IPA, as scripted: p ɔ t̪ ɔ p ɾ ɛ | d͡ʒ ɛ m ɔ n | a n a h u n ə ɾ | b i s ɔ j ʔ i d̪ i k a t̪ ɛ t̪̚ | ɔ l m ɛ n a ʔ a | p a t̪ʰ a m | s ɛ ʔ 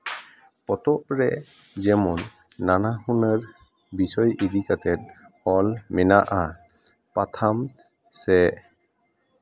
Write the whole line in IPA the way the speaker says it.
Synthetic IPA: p ɔ t̪ ɔ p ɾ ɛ | d͡ʒ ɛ m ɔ nː | a n a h u n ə ɾ | b i s ɔ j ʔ i d̪ i k a t̪ ɛ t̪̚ | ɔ l m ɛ n a ʔ a | p a t̪ʰ a m | s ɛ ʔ

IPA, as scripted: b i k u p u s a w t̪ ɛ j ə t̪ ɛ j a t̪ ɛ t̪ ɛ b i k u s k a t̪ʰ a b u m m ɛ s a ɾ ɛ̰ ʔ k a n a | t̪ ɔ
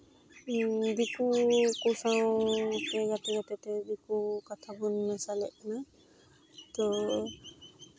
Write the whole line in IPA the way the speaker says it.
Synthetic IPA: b i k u k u s a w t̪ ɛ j a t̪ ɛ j a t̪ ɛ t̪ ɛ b i k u k a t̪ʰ a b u n m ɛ s a l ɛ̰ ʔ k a n a | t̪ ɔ

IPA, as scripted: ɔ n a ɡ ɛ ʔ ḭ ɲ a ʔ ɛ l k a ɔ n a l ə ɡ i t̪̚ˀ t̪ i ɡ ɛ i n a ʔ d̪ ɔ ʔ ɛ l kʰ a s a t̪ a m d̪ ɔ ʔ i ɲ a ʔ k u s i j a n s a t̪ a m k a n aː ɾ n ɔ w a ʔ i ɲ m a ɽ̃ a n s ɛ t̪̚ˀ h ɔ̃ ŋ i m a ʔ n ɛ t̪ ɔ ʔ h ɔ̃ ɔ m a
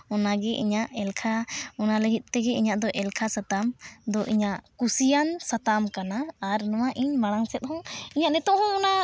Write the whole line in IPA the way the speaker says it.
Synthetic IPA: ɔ n a ɡ ɛ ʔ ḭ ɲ a ʔ ɛ l kʰ a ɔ n a l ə ɡ i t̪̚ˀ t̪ ɛ ɡ ɛ i ɲ a ʔ d̪ ɔ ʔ ɛ l kʰ a s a t̪ a m d̪ ɔ ʔ i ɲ a ʔ k u s i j a n s a t̪ a m k a n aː ɾ n ɔ w a ʔ i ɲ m a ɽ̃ a ŋ s ɛ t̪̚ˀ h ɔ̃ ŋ i ɲ a ʔ n ɛ t̪ ɔ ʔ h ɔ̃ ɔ n a

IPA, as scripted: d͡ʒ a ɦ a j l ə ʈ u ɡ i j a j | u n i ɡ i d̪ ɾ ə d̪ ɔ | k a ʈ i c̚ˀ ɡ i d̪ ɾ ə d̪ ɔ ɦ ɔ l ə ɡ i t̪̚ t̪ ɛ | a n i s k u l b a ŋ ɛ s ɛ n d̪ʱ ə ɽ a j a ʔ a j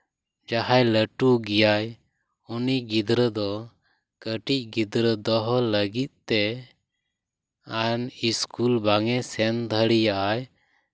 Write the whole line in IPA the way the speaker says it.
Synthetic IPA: d͡ʒ a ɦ a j l ə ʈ u ɡ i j a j | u n i ɡ i d̪ ɾ ə d̪ ɔ | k ə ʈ i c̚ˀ ɡ i d̪ ɾ ə d̪ ɔ ɦ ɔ l ə ɡ i t̪̚ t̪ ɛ | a n i s k u l b a ŋ ɛ s ɛ n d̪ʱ ə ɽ i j a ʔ a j

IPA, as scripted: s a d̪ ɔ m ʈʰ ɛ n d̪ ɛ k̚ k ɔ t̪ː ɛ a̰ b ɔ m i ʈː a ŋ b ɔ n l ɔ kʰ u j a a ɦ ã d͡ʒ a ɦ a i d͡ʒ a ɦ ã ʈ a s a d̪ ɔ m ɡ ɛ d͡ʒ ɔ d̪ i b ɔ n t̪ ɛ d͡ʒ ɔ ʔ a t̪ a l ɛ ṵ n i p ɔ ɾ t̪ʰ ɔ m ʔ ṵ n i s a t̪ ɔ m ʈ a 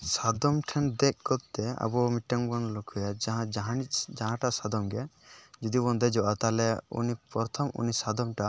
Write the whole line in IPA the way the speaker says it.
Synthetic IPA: s a d̪ ɔ m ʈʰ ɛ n d̪ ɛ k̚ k ɔ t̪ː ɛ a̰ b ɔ m i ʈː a ŋ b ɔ n l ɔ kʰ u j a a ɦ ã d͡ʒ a ɦ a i d͡ʒ a ɦ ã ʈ a s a d̪ ɔ m ɡ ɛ d͡ʒ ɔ d̪ i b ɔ n d̪ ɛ d͡ʒ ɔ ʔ a t̪ a l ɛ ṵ n i p ɔ ɾ t̪ʰ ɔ m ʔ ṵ n i s a d̪ ɔ m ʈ a

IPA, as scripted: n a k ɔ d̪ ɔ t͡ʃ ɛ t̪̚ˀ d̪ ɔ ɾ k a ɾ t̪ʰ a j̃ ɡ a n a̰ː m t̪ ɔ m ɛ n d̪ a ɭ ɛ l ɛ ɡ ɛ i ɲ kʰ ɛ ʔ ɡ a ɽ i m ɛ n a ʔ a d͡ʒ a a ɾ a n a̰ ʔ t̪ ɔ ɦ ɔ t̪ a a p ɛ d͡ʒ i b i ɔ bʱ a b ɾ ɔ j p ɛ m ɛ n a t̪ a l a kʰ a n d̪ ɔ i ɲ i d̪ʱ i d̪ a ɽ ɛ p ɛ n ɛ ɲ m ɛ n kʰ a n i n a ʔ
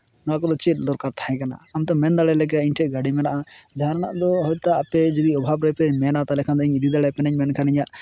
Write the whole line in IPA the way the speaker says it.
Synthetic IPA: n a k ɔ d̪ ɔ t͡ʃ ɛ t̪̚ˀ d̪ ɔ ɾ k a ɾ t̪ʰ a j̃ k a n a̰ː m t̪ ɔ m ɛ n d̪ a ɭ ɛ l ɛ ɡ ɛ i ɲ ʈʰ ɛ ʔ ɡ a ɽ i m ɛ n a ʔ a d͡ʒ a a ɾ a n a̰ ʔ d̪ ɔ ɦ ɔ t̪ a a p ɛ d͡ʒ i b i ɔ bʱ a b ɾ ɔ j p ɛ m ɛ n a t̪ a l ɛ kʰ a n d̪ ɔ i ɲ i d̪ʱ i d̪ a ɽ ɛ p ɛ n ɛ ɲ m ɛ n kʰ a n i ɲ a ʔ

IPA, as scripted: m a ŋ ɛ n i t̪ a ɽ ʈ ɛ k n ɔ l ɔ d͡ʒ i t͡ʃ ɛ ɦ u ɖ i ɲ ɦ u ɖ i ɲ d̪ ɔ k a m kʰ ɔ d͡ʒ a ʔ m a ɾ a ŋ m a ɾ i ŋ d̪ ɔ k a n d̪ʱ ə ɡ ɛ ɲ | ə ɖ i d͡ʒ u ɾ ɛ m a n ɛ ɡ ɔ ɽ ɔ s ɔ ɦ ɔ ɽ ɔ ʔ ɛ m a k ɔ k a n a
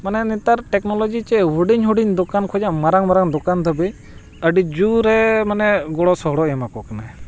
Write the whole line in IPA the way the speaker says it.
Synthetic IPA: m a n ɛ n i t̪ a ɾ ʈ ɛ k n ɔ l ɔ d͡ʒ i t͡ʃ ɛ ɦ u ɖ i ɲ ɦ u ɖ i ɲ d̪ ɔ k a n kʰ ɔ d͡ʒ a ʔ m a ɾ a ŋ m a ɾ a ŋ d̪ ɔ k a n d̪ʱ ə b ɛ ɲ | ə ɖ i d͡ʒ u ɾ ɛ m a n ɛ ɡ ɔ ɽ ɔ s ɔ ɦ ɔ ɽ ɔ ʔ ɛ m a k ɔ k a n a

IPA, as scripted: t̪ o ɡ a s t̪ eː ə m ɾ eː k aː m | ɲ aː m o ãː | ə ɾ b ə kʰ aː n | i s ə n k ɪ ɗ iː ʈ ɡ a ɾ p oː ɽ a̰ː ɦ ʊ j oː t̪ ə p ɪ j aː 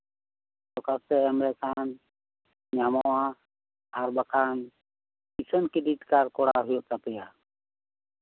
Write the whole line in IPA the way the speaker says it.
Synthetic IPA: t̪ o k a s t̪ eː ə m ɾ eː k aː n | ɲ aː m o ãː | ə ɾ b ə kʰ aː n | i s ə n k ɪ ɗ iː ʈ k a ɾ k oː ɽ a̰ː ɦ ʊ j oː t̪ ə p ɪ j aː

